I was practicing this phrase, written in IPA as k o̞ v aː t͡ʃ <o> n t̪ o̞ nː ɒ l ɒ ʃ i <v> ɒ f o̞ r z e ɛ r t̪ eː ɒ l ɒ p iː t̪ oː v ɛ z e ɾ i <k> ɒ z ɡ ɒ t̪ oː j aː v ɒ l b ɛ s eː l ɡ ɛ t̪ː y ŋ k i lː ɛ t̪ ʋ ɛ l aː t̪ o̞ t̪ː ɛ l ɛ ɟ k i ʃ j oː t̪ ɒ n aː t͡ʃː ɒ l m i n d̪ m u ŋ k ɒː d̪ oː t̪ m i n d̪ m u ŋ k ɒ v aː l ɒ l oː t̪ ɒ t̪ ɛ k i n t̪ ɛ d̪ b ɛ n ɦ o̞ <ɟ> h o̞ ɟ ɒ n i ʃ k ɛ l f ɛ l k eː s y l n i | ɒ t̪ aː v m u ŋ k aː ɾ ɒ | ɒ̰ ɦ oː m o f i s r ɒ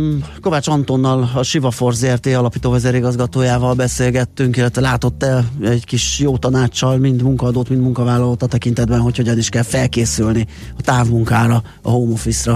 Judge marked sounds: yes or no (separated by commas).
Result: no, yes, no, no